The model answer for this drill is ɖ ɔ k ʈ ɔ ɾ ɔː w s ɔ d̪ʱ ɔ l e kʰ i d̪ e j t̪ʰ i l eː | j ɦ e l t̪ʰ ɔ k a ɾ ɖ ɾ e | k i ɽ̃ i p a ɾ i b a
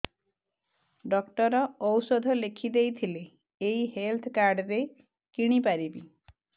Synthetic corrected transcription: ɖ ɔ k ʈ ɔ ɾ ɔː w s ɔ d̪ʱ ɔ l e kʰ i d̪ e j t̪ʰ i l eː | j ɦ e l t̪ʰ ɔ k a ɾ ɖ ɾ e | k i ɽ̃ i p a ɾ i b i